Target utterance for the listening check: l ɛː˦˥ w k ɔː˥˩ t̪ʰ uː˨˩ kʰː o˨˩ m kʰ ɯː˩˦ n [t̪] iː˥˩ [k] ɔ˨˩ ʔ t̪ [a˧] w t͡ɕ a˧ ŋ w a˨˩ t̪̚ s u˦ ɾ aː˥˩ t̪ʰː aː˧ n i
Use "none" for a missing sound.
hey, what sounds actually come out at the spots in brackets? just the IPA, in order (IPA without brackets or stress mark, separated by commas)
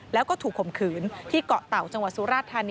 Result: t̪ʰ, k, a˨˩